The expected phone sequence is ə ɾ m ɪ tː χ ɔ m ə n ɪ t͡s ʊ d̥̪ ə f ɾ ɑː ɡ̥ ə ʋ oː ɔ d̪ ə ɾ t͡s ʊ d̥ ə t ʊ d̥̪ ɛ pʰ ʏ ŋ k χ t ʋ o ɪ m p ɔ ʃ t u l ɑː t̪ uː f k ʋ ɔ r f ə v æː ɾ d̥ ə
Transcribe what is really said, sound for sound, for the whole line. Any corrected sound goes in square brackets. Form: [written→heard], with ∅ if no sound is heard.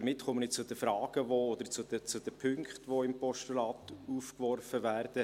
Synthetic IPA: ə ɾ m ɪ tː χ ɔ m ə n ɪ t͡s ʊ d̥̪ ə f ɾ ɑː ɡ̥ ə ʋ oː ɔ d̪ ə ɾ t͡s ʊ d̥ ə [t→t͡s] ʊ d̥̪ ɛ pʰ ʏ ŋ k χ t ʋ o ɪ m p ɔ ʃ t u l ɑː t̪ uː f k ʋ ɔ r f ə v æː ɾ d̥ ə